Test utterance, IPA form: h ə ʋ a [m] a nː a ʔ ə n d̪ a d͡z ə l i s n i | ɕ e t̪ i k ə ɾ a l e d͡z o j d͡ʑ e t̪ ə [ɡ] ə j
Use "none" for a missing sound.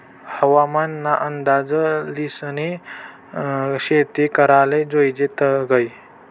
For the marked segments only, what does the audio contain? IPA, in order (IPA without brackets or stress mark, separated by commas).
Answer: m, ɡ